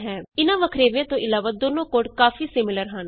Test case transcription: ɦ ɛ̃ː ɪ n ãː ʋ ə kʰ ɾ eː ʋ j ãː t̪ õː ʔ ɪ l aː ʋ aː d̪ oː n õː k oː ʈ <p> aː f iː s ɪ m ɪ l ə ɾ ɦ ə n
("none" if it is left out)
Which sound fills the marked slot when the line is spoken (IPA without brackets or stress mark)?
k